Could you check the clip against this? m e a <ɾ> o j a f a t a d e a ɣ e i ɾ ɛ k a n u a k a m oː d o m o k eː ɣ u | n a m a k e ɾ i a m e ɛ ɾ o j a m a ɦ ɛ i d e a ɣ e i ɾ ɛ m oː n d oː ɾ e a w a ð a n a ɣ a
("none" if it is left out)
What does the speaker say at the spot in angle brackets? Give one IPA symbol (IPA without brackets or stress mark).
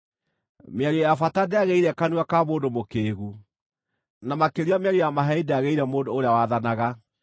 ɾ